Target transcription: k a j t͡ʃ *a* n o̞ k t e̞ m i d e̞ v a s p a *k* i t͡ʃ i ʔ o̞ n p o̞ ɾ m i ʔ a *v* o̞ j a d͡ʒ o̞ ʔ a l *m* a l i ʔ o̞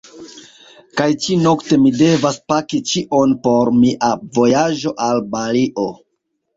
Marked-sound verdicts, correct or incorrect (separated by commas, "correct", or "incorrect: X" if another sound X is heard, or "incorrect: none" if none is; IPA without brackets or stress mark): incorrect: i, correct, correct, incorrect: b